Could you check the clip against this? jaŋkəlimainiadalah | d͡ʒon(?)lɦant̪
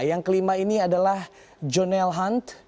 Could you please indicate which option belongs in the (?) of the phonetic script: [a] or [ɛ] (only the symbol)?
ɛ